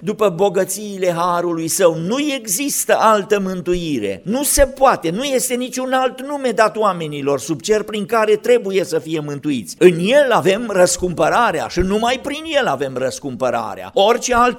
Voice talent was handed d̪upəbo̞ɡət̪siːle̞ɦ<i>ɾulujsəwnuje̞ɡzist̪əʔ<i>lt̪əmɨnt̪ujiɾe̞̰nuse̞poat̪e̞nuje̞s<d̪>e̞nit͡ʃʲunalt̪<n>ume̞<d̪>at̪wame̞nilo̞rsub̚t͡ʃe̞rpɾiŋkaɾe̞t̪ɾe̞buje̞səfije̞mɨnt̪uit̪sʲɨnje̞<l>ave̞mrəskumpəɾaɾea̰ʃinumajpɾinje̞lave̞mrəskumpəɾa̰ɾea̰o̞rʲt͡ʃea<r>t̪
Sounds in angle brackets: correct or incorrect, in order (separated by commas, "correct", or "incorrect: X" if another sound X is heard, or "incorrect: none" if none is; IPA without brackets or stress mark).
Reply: incorrect: a, incorrect: a, incorrect: t̪, correct, correct, correct, incorrect: l